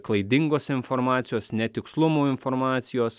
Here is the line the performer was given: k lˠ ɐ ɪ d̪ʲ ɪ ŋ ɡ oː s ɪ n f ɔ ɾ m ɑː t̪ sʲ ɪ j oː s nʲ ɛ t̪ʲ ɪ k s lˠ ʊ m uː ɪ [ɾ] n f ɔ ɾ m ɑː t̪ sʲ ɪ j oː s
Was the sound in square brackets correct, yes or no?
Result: no